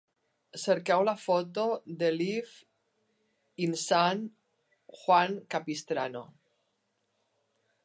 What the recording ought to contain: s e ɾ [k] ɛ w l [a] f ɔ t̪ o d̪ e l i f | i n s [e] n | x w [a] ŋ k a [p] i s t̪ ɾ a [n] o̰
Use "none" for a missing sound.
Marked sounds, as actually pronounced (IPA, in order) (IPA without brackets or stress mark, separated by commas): k, a, a, a, p, n